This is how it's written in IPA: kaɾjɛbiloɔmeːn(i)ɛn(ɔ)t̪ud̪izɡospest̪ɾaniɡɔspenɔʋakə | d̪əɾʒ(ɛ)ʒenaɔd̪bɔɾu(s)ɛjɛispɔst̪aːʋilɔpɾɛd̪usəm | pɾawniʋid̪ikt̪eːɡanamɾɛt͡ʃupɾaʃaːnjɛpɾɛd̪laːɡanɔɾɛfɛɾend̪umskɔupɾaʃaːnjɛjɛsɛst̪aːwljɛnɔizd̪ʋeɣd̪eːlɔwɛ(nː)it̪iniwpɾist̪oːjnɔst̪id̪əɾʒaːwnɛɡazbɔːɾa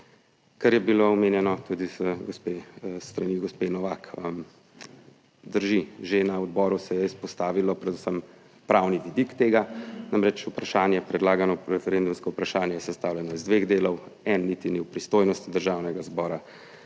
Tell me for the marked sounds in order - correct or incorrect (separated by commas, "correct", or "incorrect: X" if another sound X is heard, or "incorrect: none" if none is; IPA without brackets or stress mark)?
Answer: incorrect: j, correct, incorrect: i, correct, correct